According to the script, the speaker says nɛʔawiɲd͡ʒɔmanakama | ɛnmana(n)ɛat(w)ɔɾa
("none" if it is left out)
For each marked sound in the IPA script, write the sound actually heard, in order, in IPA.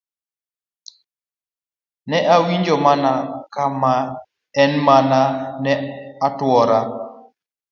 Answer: n, w

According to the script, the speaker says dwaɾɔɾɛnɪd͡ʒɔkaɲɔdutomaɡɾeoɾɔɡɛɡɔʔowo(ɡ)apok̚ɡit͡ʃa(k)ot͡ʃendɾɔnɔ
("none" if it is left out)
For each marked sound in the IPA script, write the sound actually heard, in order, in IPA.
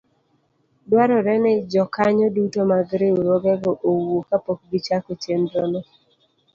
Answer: k, k

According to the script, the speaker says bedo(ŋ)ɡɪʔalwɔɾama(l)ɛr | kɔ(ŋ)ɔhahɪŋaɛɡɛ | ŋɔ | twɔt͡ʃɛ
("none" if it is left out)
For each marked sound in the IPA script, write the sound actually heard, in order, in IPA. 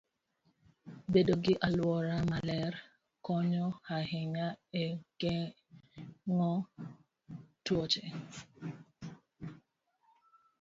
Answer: none, l, ɲ

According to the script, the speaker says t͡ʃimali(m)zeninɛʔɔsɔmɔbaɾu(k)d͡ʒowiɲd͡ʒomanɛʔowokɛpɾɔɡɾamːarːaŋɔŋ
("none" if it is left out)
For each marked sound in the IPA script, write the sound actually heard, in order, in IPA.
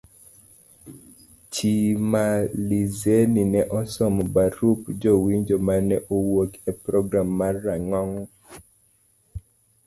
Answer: none, p

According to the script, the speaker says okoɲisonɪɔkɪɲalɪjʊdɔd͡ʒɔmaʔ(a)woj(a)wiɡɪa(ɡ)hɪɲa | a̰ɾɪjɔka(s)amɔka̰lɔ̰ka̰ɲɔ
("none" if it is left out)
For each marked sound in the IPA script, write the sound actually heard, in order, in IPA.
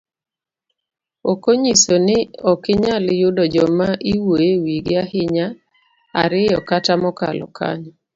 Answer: i, e, none, t

